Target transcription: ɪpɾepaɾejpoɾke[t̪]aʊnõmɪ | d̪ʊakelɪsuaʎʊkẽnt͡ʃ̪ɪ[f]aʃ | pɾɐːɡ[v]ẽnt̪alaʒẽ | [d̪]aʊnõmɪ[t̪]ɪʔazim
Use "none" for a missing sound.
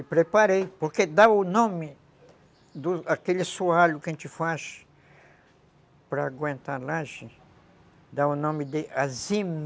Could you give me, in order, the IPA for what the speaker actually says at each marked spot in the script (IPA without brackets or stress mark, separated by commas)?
d̪, f, w, d̪, d̪